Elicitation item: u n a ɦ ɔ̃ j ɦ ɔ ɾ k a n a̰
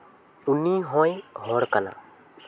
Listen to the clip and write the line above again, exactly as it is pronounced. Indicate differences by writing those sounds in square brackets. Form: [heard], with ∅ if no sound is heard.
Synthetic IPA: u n [i] ɦ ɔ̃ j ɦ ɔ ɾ k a n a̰